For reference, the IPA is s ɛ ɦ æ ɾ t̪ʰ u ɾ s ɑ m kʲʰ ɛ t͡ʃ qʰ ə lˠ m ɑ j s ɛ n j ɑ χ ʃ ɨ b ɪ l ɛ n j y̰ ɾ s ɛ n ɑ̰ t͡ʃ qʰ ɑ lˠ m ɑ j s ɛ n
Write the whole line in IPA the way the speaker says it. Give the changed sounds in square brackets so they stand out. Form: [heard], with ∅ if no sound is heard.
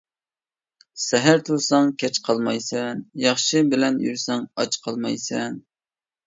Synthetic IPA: s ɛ ɦ æ ɾ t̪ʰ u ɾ s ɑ [ŋ] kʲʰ ɛ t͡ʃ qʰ [ɑ] lˠ m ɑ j s ɛ n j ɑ χ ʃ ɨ b ɪ l ɛ n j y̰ ɾ s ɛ [ŋ] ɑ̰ t͡ʃ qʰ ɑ lˠ m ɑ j s ɛ n